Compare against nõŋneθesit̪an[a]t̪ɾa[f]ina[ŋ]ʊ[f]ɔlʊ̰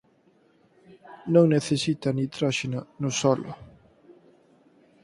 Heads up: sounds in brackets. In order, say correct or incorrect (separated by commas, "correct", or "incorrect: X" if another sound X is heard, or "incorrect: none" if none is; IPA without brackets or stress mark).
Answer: incorrect: i, incorrect: ʃ, incorrect: n, incorrect: s